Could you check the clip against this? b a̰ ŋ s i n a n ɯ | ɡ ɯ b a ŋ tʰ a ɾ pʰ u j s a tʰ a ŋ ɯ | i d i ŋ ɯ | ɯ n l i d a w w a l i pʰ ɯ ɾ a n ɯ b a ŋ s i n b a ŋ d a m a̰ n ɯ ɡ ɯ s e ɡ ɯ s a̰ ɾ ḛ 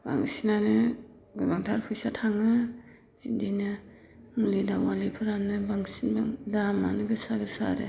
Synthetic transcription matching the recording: b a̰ ŋ s i n a n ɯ | ɡ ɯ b a ŋ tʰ a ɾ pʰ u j s a tʰ a ŋ ɯ | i d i n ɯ | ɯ ŋ l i d a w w a l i pʰ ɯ ɾ a n ɯ b a ŋ s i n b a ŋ d a m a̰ n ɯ ɡ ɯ s a ɡ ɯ s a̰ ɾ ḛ